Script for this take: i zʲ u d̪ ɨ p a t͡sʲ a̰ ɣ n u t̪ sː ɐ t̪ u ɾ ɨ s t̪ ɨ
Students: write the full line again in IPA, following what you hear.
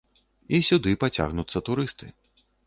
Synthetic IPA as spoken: i sʲ u d̪ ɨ p a t͡sʲ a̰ ɣ n u t̪ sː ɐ t̪ u ɾ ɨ s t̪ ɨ